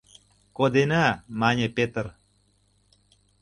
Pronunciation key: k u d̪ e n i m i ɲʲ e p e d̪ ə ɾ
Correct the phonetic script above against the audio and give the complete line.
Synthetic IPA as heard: k o d̪ e n a m a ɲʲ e p e t̪ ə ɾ